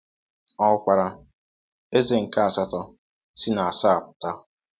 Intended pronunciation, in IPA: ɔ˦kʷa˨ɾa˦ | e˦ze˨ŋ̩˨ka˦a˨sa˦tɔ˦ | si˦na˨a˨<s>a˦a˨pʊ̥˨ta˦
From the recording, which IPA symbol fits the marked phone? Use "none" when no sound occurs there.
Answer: s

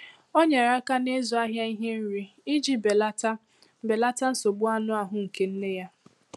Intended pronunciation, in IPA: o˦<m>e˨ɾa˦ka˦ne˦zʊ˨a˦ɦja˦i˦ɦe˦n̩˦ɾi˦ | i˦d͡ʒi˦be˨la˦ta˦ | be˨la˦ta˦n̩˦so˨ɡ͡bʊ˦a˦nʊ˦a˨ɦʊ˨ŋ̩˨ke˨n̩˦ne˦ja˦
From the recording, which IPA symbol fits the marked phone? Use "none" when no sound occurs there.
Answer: ɲ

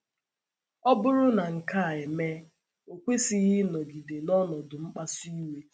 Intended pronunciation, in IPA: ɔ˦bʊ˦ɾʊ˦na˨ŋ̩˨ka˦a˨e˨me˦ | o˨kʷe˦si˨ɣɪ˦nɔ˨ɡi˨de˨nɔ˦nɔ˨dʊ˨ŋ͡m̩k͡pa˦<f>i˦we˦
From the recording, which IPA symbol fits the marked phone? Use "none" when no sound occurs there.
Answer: s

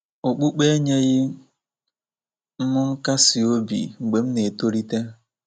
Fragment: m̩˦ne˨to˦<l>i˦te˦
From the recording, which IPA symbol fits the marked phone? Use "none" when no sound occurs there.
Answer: ɾ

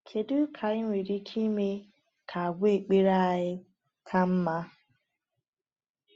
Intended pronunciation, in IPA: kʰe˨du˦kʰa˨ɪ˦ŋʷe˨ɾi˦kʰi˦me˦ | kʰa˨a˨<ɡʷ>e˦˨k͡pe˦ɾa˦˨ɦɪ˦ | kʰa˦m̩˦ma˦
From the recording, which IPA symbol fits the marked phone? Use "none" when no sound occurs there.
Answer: ɡʷ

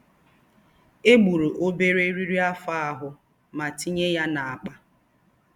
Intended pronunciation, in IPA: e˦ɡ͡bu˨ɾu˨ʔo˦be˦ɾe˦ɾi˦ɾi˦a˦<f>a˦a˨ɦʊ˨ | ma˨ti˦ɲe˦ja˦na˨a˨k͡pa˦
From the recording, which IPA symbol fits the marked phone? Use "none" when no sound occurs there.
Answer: f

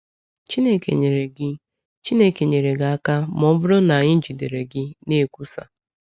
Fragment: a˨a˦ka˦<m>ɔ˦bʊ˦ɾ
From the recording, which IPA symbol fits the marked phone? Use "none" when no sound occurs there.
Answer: m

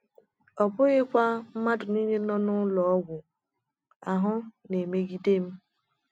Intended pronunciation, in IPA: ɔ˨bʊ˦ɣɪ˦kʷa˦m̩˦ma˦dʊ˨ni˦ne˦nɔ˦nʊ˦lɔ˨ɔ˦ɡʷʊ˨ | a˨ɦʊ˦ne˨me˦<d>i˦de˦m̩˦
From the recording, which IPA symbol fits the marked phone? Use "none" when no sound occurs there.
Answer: ɡ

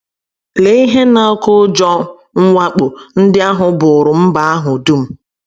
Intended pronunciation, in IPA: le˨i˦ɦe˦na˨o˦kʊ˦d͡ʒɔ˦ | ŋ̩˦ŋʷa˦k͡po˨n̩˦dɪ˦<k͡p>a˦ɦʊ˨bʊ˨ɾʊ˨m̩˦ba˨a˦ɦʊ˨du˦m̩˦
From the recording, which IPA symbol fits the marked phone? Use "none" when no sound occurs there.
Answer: none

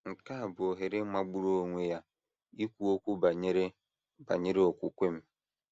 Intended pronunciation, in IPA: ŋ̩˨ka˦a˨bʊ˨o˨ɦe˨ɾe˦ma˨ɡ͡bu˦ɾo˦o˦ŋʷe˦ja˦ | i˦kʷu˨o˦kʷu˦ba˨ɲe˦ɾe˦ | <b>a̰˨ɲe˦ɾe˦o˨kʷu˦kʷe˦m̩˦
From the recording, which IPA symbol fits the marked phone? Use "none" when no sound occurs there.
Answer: b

